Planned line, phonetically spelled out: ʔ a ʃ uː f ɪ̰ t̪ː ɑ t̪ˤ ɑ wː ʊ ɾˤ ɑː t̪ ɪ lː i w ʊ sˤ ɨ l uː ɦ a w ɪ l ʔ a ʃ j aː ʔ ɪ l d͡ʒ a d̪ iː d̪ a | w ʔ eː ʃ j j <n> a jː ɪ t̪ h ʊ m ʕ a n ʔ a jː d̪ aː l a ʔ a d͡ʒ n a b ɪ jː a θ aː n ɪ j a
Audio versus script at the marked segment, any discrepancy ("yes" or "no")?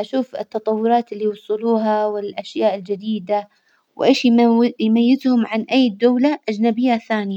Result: yes